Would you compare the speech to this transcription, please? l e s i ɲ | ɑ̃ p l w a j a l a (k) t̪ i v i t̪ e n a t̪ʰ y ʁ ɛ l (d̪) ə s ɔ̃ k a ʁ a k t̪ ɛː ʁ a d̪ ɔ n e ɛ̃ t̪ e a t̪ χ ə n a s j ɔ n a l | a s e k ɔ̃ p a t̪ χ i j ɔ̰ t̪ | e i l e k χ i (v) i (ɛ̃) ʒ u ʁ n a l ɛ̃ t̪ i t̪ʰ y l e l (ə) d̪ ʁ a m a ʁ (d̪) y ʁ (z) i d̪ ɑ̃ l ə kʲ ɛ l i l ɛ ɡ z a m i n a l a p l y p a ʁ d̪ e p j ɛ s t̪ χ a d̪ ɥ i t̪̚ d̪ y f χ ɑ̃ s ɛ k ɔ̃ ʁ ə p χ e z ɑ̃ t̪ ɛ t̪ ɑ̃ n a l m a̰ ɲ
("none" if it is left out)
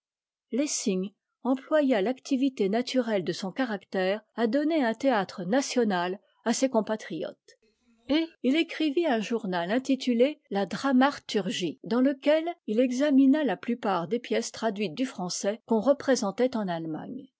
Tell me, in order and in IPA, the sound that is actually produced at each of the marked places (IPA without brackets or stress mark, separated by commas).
k, d̪, v, ɛ̃, a, t̪, ʒ